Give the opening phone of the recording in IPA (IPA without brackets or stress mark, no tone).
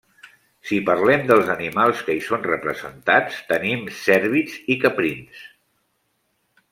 s